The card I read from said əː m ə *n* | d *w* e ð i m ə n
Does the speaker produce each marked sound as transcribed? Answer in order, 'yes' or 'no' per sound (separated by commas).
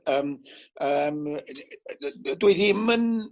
no, yes